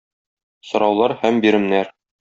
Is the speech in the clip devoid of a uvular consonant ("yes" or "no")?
yes